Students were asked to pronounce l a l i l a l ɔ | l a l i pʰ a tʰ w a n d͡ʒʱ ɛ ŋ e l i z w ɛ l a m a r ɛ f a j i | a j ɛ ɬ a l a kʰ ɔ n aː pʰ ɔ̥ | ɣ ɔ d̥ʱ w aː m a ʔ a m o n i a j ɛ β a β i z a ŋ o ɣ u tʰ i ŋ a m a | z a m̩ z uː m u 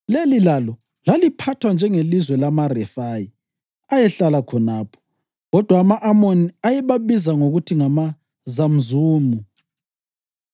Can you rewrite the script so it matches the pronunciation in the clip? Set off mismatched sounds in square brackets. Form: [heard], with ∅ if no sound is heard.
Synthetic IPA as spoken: l [e] l i l a l ɔ | l a l i pʰ a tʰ w a n d͡ʒʱ ɛ ŋ e l i z w ɛ l a m a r ɛ f a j i | a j ɛ ɬ a l a kʰ ɔ n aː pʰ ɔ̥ | ɣ ɔ d̥ʱ w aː m a ʔ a m o n i a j ɛ β a β i z a ŋ o ɣ u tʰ i ŋ a m a | z a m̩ z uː m u

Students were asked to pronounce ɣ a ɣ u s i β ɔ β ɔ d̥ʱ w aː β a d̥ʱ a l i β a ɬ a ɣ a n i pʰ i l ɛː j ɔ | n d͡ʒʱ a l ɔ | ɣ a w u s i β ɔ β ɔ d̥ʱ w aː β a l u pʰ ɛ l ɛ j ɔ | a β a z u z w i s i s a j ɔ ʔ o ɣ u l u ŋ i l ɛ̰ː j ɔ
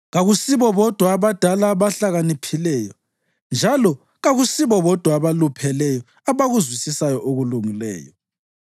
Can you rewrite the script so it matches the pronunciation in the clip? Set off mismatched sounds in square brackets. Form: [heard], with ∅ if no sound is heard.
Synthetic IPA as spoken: ɣ a ɣ u s i β ɔ β ɔ d̥ʱ w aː β a d̥ʱ a l [a] β a ɬ a ɣ a n i pʰ i l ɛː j ɔ | n d͡ʒʱ a l ɔ | ɣ a [ɣ] u s i β ɔ β ɔ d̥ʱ w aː β a l u pʰ ɛ l ɛ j ɔ | a β a [ɣ] u z w i s i s a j ɔ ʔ o ɣ u l u ŋ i l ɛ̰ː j ɔ

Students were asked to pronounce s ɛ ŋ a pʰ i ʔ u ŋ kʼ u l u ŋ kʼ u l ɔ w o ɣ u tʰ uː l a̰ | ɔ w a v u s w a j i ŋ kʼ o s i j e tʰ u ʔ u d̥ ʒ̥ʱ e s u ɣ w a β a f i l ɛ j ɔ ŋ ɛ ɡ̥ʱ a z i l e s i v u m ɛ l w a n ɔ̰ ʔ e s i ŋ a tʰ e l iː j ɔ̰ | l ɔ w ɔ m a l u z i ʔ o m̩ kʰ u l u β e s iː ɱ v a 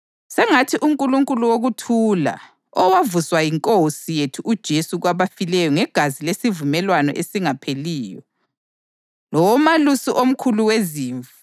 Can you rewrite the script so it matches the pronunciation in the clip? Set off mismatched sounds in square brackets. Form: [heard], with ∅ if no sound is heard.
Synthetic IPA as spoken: s ɛ ŋ a [tʰ] i ʔ u ŋ kʼ u l u ŋ kʼ u l [u] w o ɣ u tʰ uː l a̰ | ɔ w a v u s w a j i ŋ kʼ o s i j e tʰ u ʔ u d̥ ʒ̥ʱ e s u ɣ w a β a f i l ɛ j ɔ ŋ ɛ ɡ̥ʱ a z i l e s i v u m ɛ l w a n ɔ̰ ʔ e s i ŋ a [pʰ] e l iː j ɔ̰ | l ɔ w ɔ m a l u [s] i ʔ o m̩ kʰ u l u [w] e [z] iː ɱ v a

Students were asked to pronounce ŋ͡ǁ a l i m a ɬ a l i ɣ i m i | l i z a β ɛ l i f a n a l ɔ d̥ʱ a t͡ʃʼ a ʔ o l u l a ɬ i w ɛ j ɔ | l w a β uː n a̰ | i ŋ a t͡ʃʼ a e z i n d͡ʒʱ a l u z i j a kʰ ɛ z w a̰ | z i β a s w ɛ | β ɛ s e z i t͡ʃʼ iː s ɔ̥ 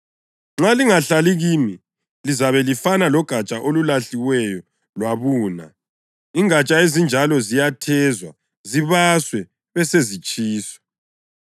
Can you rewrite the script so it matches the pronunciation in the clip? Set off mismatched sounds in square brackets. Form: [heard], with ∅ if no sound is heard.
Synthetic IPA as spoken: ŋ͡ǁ a l i [ŋ] a ɬ a l i ɣ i m i | l i z a β ɛ l i f a n a l ɔ [ɡ̥ʱ] a t͡ʃʼ a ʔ o l u l a ɬ i w ɛ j ɔ | l w a β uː n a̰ | i ŋ a t͡ʃʼ a e z i n d͡ʒʱ a l [ɔ] z i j a [tʰ] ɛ z w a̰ | z i β a s w ɛ | β ɛ s e z i t͡ʃʼ iː s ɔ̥

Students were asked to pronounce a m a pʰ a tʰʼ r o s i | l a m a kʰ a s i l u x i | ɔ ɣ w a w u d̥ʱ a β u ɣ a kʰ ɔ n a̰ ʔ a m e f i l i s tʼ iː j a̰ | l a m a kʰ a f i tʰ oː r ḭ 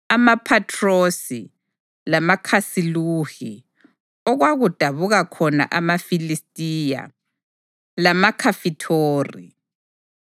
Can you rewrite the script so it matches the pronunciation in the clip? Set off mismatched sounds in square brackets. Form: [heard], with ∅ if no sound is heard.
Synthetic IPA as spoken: a m a pʰ a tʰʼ r o s i | l a m a kʰ a s i l u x i | ɔ ɣ w a [ɣ] u d̥ʱ a β u ɣ a kʰ ɔ n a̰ ʔ a m [a] f i l i s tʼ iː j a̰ | l a m a kʰ a f i tʰ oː r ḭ

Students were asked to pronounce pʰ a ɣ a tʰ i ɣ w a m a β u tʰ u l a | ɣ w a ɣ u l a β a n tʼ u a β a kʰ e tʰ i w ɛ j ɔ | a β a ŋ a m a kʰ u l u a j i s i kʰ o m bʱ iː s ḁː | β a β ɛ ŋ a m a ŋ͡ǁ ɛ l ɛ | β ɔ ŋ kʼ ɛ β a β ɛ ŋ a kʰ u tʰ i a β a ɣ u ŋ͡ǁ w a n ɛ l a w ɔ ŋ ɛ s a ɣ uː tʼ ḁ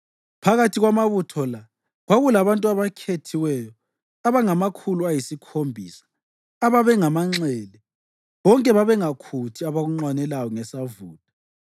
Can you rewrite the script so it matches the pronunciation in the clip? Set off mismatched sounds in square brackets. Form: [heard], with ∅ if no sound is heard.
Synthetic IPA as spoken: pʰ a ɣ a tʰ i ɣ w a m a β u tʰ [ɔ] l a | ɣ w a ɣ u l a β a n tʼ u a β a kʰ e tʰ i w ɛ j ɔ | a β a ŋ a m a kʰ u l u a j i s i kʰ o m bʱ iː s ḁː | β a β ɛ ŋ a m a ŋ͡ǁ ɛ l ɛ | β ɔ ŋ kʼ ɛ β a β ɛ ŋ a kʰ u tʰ i a β a ɣ u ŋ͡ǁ w a n ɛ l a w ɔ ŋ ɛ s a [v] uː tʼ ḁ

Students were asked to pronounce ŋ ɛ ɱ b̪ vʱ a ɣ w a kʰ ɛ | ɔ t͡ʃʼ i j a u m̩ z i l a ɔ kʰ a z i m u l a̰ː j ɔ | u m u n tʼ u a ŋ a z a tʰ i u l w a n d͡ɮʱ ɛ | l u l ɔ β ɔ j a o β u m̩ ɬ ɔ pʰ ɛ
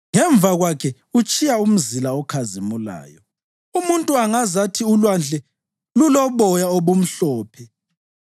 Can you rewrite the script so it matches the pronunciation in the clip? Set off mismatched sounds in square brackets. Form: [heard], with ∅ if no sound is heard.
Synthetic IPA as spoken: ŋ ɛ ɱ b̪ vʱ a ɣ w a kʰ ɛ | [u] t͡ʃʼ i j a u m̩ z i l a ɔ kʰ a z i m u l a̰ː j ɔ | u m u n tʼ u a ŋ a z a tʰ i u l w a n d͡ɮʱ ɛ | l u l ɔ β ɔ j a o β u m̩ ɬ [ɔː] pʰ ɛ

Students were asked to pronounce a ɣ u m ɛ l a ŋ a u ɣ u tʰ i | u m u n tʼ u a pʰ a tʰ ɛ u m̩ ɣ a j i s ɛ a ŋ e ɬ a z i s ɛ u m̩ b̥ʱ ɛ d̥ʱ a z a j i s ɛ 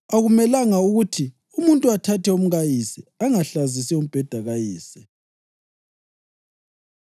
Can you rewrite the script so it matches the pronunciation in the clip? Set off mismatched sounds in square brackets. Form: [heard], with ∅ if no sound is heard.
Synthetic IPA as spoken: a ɣ u m ɛ l a ŋ a u ɣ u tʰ i | u m u n tʼ u a [tʰ] a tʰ ɛ u m̩ ɣ a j i s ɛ a ŋ [a] ɬ a z i s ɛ u m̩ b̥ʱ ɛ d̥ʱ a [ɣ] a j [iː] s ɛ

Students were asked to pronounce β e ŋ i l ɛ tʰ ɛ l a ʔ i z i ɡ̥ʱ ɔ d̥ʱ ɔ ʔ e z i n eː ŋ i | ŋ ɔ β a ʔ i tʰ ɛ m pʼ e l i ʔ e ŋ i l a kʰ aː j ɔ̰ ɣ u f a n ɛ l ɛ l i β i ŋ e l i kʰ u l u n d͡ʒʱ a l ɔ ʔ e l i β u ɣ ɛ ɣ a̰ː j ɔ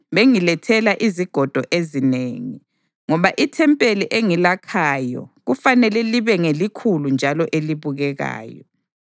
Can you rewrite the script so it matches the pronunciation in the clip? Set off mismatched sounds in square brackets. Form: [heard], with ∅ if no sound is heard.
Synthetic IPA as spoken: β e ŋ i l ɛ tʰ ɛ l a ʔ i z i ɡ̥ʱ ɔ d̥ʱ ɔ ʔ e z i n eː ŋ i | ŋ ɔ β a ʔ i tʰ ɛ m pʼ e l i ʔ e ŋ i l a kʰ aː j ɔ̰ ɣ u f a n ɛ l ɛ l i β [ɛ] ŋ e l i kʰ u l u n d͡ʒʱ a l ɔ ʔ e l i β u ɣ ɛ ɣ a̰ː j ɔ

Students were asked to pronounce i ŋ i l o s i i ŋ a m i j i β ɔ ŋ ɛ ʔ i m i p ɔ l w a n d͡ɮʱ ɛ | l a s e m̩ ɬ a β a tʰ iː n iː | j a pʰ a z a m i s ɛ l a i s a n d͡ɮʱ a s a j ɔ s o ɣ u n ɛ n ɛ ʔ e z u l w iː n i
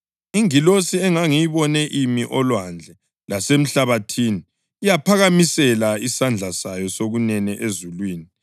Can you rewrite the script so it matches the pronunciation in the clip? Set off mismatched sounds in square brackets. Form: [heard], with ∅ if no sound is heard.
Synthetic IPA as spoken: i ŋ i l o s i [ɛ] ŋ a [ŋ] i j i β ɔ [n] ɛ ʔ i m i [ʔ] ɔ l w a n d͡ɮʱ ɛ | l a s e m̩ ɬ a β a tʰ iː n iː | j a pʰ a [ɣ] a m i s ɛ l a i s a n d͡ɮʱ a s a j ɔ s o ɣ u n ɛ n ɛ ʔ e z u l w iː n i

